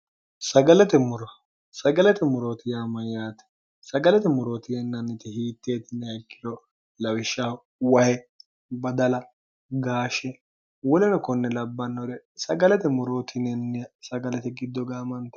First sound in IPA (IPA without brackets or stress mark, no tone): s